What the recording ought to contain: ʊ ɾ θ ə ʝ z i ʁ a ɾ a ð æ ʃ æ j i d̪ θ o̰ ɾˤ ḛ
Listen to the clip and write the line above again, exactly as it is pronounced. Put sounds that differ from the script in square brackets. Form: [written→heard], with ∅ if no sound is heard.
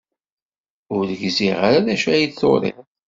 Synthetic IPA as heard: ʊ ɾ [θ→ð] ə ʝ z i ʁ a ɾ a ð æ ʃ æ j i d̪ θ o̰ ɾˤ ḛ